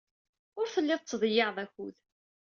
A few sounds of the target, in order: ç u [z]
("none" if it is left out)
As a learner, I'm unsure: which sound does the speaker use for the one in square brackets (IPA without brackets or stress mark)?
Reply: ð